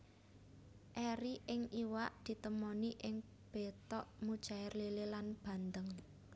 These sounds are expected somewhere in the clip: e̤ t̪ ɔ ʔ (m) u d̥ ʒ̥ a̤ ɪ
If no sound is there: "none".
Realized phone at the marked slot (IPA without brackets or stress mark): m